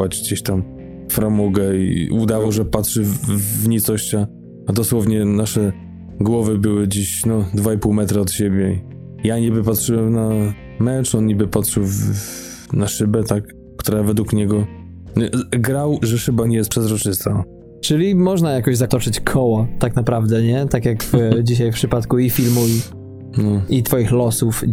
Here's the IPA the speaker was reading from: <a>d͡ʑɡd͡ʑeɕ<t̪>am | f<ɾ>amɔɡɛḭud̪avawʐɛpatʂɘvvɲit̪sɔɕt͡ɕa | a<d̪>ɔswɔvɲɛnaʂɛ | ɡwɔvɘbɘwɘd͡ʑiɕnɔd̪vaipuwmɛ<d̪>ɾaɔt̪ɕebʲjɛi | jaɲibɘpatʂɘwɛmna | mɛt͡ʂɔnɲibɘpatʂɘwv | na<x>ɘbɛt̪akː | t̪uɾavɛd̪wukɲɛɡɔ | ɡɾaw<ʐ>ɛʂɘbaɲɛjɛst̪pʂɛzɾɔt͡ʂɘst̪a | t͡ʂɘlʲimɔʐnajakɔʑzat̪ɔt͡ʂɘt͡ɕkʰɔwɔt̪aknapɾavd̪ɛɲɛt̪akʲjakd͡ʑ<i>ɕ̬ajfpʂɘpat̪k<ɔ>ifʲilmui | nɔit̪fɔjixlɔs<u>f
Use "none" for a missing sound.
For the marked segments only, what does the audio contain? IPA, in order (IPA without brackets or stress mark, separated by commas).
a, t̪, ɾ, d̪, t̪, ʂ, ʐ, i, u, u